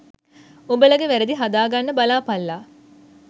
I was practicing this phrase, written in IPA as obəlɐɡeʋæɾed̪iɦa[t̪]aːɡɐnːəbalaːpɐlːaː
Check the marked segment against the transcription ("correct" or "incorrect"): incorrect